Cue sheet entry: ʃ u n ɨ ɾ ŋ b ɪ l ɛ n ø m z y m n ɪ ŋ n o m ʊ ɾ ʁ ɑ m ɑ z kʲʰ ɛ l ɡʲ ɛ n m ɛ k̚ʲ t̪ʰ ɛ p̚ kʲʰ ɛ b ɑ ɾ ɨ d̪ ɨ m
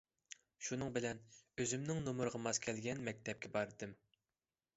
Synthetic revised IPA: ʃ u n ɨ ŋ b ɪ l ɛ n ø z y m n ɪ ŋ n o m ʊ ɾ ʁ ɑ m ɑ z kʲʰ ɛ l ɡʲ ɛ n m ɛ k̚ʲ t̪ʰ ɛ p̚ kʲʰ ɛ b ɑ ɾ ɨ d̪ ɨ m